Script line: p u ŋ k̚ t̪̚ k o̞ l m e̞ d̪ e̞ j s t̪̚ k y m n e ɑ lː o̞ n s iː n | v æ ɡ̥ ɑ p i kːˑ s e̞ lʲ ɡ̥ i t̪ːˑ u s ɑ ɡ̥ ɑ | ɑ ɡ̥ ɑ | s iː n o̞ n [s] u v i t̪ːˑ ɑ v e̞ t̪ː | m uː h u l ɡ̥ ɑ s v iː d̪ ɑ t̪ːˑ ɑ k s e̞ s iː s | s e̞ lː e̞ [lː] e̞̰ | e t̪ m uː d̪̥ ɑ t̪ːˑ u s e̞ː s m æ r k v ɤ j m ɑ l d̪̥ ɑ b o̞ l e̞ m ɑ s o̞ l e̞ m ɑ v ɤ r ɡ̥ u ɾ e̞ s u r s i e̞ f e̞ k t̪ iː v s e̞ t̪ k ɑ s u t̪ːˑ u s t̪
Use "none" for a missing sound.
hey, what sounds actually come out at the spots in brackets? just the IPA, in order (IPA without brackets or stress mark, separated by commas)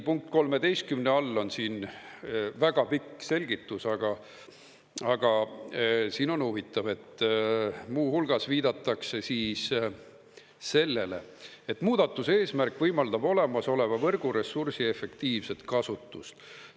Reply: h, l